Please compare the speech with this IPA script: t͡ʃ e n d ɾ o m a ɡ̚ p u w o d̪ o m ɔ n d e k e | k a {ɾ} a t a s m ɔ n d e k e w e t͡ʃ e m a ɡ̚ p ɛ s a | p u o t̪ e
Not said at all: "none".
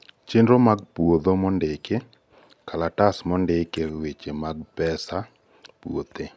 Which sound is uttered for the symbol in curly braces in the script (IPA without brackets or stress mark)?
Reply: l